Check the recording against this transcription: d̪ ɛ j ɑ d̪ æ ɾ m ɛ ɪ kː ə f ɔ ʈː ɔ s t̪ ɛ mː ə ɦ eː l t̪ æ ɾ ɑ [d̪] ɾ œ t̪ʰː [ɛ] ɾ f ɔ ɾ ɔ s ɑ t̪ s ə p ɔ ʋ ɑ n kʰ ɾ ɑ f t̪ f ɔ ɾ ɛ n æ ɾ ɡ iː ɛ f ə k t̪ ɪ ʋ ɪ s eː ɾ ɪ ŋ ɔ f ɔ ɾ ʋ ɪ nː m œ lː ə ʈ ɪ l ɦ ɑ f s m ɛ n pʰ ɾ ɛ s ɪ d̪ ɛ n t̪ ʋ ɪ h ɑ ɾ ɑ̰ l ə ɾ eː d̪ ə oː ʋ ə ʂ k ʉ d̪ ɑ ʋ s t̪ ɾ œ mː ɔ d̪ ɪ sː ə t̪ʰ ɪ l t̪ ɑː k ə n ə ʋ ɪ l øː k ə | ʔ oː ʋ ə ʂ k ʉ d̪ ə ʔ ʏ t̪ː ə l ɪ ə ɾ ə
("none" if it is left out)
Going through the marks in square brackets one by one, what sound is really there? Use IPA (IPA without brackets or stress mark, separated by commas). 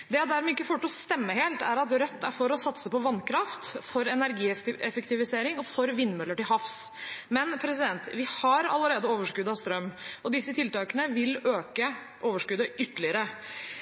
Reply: t̪, æ